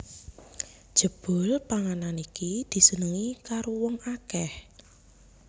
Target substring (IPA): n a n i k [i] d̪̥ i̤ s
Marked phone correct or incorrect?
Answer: correct